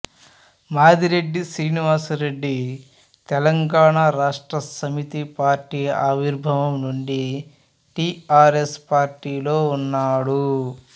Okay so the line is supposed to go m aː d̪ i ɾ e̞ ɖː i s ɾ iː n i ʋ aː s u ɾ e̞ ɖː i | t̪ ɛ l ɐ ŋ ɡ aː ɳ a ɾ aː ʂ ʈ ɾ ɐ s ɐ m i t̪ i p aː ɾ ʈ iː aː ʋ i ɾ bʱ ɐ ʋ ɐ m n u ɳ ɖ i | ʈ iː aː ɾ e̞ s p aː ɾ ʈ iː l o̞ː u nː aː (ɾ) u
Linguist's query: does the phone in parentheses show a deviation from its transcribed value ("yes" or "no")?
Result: yes